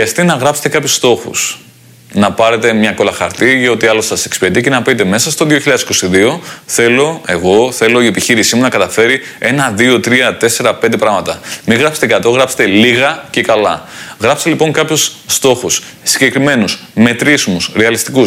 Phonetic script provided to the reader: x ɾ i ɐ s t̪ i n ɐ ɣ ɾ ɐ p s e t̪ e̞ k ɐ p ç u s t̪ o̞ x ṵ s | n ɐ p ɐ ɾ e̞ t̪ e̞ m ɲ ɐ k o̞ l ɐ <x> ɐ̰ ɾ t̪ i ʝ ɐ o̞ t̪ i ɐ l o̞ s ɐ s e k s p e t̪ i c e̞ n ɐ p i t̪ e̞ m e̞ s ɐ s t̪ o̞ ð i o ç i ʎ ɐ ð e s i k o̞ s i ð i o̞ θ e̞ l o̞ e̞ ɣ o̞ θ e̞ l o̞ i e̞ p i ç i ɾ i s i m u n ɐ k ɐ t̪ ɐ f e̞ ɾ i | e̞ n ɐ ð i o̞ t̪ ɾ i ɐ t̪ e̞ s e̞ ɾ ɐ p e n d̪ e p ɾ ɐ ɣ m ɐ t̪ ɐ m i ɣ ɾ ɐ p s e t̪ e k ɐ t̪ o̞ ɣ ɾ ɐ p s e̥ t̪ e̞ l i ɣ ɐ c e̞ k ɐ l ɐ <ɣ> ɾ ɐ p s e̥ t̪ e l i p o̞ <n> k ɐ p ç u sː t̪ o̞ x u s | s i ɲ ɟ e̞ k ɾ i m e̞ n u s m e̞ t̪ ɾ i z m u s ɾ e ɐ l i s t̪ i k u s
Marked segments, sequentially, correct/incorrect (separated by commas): correct, correct, incorrect